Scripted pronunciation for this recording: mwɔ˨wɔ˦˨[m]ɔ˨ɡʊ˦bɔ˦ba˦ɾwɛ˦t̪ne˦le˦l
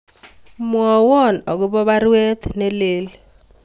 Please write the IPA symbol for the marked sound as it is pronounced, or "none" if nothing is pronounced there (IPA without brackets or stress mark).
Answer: n